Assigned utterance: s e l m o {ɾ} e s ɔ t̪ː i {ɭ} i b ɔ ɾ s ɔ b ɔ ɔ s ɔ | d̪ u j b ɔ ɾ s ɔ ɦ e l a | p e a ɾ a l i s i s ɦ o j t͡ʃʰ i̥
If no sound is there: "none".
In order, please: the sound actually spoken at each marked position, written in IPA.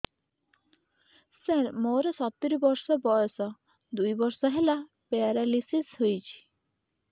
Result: ɾ, ɾ

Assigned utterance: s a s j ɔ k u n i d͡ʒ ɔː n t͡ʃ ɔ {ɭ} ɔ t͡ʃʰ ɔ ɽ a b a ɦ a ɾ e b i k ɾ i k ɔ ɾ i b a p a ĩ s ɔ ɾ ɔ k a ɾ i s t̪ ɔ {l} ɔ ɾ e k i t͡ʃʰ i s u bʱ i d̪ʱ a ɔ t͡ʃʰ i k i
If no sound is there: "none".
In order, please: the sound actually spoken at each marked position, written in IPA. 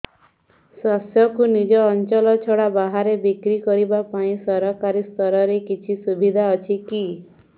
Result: l, ɾ

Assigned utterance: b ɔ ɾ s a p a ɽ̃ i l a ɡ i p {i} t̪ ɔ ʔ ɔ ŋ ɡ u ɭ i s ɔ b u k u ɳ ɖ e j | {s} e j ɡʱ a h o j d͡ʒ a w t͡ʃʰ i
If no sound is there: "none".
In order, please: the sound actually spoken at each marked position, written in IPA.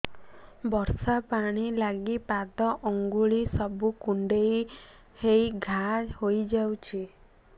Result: a, h

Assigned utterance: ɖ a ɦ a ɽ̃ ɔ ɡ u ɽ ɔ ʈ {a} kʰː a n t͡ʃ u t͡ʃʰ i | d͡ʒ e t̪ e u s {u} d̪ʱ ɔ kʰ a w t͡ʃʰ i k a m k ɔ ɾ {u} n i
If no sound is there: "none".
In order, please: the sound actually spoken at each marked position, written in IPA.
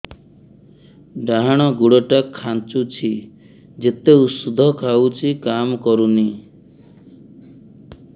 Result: a, u, u

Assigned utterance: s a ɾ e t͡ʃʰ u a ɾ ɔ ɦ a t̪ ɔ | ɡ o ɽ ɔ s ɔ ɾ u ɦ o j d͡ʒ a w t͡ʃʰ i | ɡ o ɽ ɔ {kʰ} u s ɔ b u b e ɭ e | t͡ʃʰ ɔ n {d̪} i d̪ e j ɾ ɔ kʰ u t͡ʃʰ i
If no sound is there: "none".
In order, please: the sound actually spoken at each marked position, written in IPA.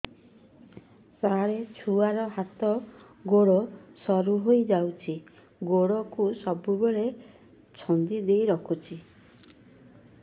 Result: k, d̪

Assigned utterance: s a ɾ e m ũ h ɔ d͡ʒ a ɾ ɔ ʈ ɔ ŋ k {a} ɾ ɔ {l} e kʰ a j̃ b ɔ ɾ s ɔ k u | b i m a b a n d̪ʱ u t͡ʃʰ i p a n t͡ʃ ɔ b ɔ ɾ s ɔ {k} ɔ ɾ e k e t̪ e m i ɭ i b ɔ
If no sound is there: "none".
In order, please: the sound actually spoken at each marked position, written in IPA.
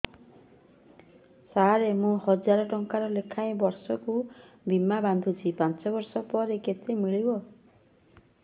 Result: a, l, p

